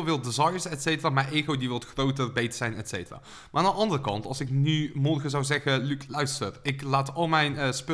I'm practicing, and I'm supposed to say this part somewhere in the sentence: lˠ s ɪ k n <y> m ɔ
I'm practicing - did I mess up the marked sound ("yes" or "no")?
no